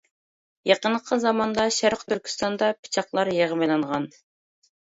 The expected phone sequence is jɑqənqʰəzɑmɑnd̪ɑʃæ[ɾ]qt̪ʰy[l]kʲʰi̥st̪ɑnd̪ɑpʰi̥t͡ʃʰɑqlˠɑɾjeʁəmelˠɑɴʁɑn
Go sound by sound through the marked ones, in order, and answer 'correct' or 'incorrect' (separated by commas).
correct, incorrect